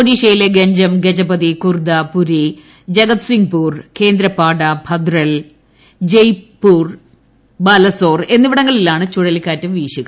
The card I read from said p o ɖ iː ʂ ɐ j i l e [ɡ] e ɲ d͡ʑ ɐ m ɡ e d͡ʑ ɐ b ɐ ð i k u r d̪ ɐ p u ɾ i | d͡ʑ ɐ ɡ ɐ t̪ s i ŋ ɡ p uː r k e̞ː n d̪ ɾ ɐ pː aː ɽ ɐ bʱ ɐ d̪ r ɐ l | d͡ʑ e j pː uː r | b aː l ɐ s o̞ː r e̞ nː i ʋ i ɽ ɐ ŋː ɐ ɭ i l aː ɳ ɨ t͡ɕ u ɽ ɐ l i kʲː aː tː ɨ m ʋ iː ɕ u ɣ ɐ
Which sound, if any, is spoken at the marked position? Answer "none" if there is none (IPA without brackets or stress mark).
ɡ